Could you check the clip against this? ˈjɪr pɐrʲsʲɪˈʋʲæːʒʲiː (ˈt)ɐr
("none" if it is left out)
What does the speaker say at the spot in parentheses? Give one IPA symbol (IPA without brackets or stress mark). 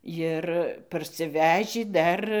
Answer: d